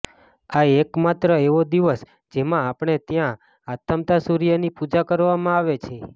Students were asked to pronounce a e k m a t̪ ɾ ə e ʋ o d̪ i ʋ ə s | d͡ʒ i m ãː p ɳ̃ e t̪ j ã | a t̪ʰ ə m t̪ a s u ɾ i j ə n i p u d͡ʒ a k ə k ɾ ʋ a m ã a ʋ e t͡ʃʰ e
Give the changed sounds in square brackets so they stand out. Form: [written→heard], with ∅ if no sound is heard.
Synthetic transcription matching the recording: a e k m a t̪ ɾ ə e ʋ o d̪ i ʋ ə s | d͡ʒ [i→e] m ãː p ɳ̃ e t̪ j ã | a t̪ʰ ə m t̪ a s u ɾ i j ə n i p u d͡ʒ a k ə [k→∅] ɾ ʋ a m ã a ʋ e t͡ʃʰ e